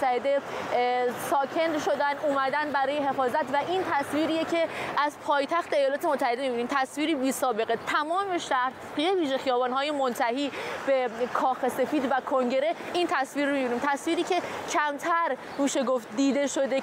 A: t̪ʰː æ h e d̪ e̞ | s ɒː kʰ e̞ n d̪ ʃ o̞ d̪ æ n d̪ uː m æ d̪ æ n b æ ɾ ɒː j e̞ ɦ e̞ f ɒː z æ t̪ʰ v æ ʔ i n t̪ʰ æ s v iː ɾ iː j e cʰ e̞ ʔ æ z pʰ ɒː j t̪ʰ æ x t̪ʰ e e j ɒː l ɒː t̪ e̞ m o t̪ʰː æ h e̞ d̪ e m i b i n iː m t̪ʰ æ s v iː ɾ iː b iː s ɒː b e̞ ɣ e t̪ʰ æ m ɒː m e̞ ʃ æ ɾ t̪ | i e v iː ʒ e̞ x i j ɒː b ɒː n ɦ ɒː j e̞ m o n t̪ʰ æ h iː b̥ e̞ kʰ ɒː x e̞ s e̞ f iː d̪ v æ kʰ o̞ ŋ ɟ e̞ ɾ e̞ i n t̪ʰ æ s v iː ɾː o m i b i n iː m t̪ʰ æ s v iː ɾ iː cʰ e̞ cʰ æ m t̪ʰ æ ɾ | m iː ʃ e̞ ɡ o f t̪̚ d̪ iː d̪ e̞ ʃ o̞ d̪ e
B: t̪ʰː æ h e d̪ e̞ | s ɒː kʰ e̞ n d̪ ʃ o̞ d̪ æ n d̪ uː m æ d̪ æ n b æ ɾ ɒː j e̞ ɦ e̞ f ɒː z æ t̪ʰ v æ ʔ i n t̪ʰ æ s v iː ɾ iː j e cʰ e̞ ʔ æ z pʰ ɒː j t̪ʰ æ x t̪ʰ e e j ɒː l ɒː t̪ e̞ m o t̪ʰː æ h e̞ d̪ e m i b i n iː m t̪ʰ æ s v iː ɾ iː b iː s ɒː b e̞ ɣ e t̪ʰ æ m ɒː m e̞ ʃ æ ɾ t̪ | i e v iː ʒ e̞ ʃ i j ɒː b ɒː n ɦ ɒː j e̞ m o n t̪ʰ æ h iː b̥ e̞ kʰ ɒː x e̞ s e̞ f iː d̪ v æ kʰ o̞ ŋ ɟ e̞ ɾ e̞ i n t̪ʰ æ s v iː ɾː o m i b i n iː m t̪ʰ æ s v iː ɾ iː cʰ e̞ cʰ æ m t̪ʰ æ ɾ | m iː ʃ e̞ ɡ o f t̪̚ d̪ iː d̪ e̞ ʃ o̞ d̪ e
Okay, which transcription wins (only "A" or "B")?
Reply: A